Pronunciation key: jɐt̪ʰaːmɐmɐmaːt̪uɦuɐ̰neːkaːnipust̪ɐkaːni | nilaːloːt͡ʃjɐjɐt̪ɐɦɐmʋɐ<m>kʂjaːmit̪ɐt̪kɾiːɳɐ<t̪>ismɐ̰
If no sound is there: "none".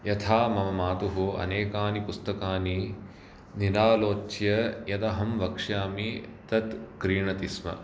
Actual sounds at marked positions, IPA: none, t̪

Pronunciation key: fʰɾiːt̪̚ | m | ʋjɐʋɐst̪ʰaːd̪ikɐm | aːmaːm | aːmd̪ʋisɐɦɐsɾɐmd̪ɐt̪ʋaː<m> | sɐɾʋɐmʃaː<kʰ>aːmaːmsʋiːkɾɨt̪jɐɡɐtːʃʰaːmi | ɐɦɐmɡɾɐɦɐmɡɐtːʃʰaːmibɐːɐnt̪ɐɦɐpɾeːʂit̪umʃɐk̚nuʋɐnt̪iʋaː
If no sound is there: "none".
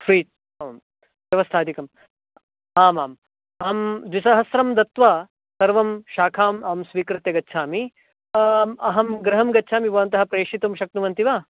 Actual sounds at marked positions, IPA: none, kʰ

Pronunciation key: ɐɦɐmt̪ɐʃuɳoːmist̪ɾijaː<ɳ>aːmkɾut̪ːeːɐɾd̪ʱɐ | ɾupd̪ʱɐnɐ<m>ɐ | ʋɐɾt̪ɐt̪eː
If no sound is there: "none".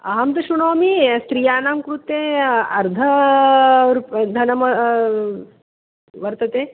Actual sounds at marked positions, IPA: n, m

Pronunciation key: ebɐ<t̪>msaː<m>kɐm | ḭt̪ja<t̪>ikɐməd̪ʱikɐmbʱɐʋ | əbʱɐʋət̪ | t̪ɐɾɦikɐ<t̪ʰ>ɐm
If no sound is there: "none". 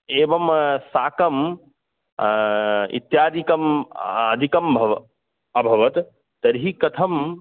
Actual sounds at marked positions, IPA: none, none, d̪, t̪ʰ

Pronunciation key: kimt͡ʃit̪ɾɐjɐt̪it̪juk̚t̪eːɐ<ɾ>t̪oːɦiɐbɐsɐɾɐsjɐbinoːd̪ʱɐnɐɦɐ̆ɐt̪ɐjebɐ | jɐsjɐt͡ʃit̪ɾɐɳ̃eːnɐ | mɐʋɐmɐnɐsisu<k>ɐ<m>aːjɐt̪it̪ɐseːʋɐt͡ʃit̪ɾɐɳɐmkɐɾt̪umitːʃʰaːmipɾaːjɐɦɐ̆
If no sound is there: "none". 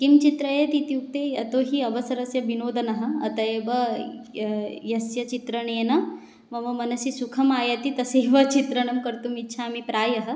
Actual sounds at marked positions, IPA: none, kʰ, m

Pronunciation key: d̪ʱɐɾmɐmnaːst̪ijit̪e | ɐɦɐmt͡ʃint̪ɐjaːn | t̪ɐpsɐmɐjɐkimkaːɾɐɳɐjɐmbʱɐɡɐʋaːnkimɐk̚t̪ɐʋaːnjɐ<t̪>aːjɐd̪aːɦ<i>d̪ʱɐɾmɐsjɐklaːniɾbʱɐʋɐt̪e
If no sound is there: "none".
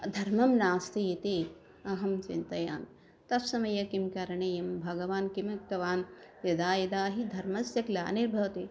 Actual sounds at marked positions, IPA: d̪, i

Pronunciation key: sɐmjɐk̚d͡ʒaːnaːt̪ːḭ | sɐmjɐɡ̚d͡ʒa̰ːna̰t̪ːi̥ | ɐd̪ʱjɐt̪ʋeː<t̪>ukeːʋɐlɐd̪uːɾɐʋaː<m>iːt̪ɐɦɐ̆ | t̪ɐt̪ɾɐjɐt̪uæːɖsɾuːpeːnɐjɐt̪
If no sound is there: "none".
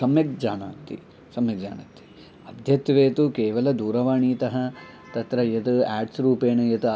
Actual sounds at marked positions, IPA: t̪, ɳ

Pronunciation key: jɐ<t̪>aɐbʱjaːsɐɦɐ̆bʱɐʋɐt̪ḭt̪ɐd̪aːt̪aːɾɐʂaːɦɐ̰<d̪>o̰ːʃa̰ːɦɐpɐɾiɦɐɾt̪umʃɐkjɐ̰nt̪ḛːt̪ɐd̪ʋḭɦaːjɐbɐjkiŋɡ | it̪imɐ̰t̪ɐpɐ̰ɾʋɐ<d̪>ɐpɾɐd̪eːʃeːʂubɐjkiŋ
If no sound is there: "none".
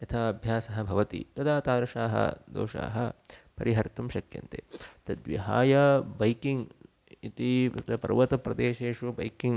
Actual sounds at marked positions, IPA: t̪ʰ, d̪, t̪

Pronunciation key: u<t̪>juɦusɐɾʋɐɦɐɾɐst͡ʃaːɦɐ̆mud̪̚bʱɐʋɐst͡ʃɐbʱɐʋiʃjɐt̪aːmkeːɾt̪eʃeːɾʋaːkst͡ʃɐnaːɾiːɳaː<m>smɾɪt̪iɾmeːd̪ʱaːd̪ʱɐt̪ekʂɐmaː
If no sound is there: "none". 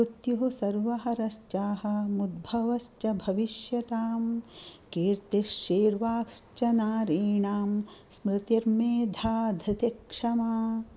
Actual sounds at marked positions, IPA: t̪, m

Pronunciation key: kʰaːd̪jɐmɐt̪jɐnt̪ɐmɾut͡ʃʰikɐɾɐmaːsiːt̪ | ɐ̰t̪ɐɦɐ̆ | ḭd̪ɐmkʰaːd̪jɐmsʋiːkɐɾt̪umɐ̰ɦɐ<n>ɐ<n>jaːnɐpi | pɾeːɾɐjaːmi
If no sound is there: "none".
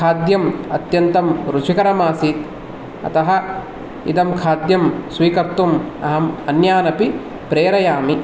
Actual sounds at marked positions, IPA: m, n

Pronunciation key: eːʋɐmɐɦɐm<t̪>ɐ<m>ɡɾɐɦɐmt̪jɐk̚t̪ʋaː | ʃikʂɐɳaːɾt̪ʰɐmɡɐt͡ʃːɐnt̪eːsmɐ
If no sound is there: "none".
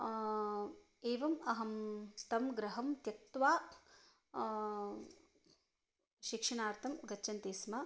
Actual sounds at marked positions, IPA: t̪, m

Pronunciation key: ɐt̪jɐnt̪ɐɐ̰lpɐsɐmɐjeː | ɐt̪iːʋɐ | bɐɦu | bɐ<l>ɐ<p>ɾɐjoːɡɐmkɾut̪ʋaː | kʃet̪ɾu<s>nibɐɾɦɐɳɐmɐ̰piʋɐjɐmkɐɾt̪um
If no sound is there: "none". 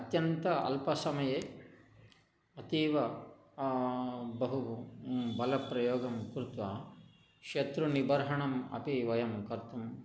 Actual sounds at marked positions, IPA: l, p, none

